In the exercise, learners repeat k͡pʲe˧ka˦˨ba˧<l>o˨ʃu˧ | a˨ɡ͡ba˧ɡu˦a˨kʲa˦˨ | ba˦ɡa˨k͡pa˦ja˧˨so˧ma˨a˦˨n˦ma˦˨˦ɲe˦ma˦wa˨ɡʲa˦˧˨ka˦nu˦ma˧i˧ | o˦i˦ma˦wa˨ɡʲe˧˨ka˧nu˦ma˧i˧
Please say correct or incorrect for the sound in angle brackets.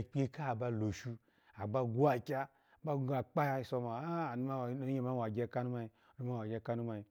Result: correct